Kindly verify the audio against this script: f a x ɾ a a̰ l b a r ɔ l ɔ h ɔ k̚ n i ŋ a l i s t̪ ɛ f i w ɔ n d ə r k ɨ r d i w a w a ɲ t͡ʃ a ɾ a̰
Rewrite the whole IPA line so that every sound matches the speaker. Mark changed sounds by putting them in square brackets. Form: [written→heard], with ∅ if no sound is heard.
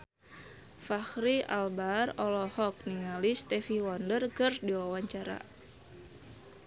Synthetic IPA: f a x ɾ [a→i] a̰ l b a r ɔ l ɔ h ɔ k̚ n i ŋ a l i s t̪ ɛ f i w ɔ n d ə r k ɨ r d i w a w a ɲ t͡ʃ a ɾ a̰